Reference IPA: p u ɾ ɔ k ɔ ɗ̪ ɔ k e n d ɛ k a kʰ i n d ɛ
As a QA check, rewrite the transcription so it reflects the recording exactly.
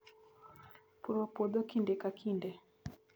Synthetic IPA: p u ɾ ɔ p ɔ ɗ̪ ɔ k i n d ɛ k a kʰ i n d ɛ